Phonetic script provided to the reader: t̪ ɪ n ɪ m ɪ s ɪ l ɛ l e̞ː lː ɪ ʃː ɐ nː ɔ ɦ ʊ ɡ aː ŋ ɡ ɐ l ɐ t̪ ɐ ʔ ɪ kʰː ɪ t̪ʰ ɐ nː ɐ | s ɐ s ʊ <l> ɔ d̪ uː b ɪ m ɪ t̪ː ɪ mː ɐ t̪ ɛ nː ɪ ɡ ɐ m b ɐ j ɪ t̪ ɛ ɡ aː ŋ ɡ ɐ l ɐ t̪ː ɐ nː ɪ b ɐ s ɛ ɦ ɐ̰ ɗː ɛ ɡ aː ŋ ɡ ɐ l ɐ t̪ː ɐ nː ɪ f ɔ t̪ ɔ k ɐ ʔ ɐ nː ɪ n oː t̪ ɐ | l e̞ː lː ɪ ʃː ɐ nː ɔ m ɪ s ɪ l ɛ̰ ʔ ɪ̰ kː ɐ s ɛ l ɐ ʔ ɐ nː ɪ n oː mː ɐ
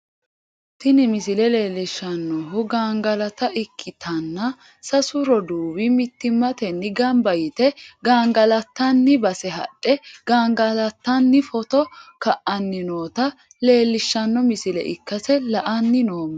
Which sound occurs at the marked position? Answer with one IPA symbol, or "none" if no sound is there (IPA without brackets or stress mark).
ɾ